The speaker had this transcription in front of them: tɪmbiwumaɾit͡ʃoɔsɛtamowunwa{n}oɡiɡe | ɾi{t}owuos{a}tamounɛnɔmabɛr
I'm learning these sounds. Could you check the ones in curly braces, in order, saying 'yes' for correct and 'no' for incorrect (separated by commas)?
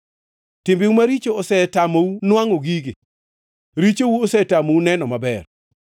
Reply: no, no, no